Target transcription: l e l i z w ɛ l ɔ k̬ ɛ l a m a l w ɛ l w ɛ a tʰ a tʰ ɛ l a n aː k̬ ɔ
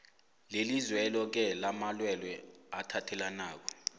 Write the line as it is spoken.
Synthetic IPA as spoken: l e l i z w ɛ l ɔ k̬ ɛ l a m a l w ɛ l w ɛ a tʰ a tʰ ɛ l a n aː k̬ ɔ